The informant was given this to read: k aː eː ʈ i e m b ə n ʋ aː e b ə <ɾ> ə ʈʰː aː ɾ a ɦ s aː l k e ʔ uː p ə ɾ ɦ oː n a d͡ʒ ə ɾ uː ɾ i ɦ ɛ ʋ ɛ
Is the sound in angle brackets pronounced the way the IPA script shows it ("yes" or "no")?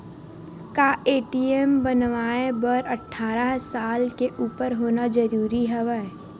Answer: yes